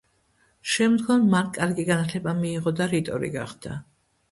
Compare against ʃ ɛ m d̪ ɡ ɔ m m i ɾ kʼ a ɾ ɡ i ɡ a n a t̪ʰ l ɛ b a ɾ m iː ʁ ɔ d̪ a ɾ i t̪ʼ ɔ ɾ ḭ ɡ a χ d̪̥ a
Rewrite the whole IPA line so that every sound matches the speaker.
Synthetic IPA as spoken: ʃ ɛ m d̪ ɡ ɔ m m a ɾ kʼ a ɾ ɡ i ɡ a n a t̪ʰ l ɛ b a m iː ʁ ɔ d̪ a ɾ i t̪ʼ ɔ ɾ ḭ ɡ a χ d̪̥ a